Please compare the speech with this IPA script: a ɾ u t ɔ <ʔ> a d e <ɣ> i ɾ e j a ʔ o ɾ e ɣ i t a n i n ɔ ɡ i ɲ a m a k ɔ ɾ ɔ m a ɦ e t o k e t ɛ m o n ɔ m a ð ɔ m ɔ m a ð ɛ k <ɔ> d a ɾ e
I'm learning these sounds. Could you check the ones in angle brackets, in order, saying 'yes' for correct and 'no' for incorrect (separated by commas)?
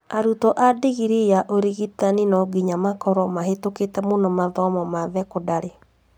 yes, yes, no